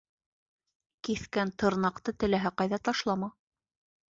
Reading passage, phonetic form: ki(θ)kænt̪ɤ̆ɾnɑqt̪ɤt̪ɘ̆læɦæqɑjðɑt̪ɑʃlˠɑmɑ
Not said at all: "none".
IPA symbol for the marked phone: θ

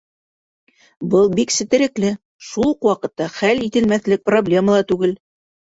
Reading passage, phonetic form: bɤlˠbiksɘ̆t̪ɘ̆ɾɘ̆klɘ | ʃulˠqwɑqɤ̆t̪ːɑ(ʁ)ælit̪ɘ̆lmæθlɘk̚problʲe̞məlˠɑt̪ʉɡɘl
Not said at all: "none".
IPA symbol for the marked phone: χ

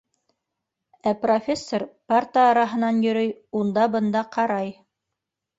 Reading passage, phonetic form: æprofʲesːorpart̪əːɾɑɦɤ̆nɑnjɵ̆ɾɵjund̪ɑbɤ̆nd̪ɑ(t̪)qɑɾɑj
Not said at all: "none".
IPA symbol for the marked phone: none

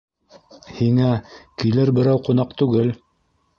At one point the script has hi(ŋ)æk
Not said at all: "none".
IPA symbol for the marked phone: ŋ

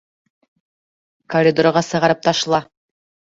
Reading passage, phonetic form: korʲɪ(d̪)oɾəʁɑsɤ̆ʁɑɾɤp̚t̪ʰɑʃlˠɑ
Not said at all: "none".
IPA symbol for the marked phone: d̪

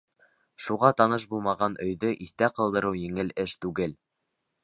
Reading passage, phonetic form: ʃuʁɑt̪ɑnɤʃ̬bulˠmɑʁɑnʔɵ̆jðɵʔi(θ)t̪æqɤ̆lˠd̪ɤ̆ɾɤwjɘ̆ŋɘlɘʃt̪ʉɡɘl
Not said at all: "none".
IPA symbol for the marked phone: θ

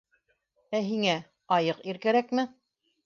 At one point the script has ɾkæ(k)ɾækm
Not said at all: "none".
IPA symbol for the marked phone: none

